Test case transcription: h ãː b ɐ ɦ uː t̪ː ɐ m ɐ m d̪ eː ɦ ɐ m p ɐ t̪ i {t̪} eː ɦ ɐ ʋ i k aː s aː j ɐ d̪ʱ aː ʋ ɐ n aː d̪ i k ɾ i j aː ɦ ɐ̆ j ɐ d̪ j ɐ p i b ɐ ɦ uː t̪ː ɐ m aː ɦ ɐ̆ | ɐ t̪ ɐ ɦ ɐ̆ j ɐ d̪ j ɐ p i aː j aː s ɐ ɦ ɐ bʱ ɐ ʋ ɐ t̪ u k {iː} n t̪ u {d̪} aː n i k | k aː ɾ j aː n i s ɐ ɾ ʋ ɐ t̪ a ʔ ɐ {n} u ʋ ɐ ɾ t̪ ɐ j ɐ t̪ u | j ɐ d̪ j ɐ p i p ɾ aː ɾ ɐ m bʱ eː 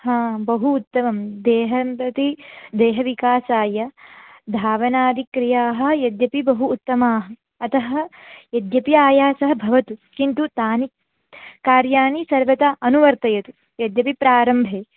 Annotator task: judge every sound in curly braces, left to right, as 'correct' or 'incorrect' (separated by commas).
incorrect, incorrect, incorrect, correct